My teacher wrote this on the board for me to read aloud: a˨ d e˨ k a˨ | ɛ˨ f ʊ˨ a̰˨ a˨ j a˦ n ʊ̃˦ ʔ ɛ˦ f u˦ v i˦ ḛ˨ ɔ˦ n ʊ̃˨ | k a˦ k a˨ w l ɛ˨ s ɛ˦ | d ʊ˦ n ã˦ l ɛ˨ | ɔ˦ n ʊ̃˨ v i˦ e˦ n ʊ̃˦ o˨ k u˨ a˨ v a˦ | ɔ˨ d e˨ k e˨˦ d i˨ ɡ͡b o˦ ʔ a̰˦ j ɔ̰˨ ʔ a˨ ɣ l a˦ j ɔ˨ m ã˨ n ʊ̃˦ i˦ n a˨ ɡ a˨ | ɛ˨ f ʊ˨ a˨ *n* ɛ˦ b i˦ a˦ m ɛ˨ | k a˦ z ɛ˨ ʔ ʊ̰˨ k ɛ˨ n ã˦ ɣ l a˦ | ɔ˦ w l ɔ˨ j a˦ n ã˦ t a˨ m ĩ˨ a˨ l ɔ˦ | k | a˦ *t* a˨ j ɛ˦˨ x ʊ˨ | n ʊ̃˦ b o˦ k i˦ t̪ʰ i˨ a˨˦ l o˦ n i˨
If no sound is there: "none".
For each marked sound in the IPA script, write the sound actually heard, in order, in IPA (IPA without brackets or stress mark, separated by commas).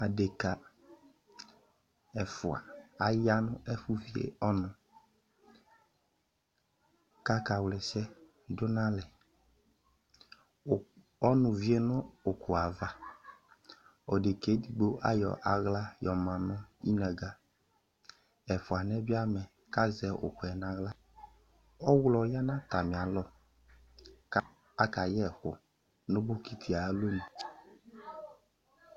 n, k